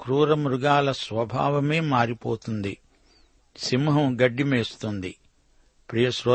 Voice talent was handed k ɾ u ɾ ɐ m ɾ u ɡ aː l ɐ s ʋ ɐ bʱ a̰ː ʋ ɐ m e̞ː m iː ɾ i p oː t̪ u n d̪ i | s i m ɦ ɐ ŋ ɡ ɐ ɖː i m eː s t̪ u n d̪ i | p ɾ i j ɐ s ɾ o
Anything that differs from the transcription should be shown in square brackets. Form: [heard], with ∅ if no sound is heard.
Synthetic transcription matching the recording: k ɾ [uː] ɾ ɐ m ɾ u ɡ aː l ɐ s ʋ ɐ bʱ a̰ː ʋ ɐ m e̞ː m [aː] ɾ i p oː t̪ u n d̪ i | s i m ɦ ɐ [m] ɡ ɐ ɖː i m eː s t̪ u n d̪ i | p ɾ i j ɐ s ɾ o